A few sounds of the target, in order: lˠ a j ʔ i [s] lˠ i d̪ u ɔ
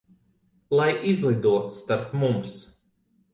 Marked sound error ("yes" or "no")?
yes